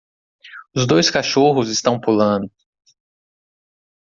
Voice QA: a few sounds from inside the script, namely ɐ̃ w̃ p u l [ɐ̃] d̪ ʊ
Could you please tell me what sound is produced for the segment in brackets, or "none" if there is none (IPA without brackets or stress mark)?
ɐ̃